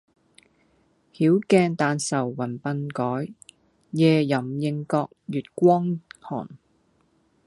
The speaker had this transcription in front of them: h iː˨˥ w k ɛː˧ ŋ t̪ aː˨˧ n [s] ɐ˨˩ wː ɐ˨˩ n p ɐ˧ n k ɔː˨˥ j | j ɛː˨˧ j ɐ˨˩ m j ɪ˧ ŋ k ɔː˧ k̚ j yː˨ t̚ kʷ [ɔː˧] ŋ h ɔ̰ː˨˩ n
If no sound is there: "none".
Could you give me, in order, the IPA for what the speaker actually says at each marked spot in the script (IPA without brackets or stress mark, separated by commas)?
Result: s, ɔː˥